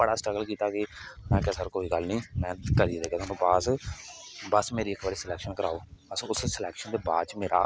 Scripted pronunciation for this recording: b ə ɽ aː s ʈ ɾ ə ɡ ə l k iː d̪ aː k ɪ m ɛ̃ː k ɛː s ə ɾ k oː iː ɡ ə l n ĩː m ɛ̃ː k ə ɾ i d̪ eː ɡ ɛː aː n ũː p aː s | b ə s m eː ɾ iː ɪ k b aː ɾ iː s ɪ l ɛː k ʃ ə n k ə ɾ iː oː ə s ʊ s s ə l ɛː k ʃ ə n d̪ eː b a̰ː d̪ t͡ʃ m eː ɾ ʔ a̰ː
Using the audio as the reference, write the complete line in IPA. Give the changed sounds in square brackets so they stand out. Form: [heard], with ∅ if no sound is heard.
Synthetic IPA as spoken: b ə ɽ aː s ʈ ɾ ə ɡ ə l k iː [t̪] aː k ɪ m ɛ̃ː k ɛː s ə ɾ k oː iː ɡ ə l n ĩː m ɛ̃ː k ə ɾ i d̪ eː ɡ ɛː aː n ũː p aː s | b ə s m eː ɾ iː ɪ k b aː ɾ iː s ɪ l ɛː k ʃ ə n k ə ɾ [aː] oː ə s ʊ s s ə l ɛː k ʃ ə n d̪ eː b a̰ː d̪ t͡ʃ m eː ɾ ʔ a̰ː